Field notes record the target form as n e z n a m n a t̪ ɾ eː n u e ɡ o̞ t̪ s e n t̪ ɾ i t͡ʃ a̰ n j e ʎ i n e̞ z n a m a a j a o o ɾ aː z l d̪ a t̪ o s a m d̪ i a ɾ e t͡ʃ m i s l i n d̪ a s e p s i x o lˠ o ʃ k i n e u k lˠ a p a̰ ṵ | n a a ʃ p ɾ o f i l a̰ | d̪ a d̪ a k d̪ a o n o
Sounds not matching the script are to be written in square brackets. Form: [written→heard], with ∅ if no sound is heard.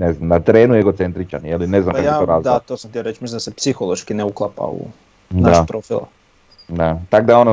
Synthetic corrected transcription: n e z n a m n a t̪ ɾ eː n u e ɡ o̞ t̪ s e n t̪ ɾ i t͡ʃ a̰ n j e [ʎ→l] i n e̞ z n a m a a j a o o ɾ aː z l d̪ a t̪ o s a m [d̪→t̪] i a ɾ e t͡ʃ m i s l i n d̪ a s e p s i x o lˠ o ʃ k i n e u k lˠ a p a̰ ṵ | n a a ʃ p ɾ o f i l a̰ | d̪ a [d̪→t̪] a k d̪ a o n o